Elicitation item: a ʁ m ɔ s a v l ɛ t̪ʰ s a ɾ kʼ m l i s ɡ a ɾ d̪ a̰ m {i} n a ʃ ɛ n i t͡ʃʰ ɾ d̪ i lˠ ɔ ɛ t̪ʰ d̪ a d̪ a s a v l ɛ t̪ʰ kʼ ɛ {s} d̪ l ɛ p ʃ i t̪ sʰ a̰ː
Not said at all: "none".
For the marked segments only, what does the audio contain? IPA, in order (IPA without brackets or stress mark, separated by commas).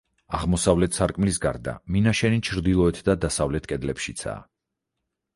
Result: i, none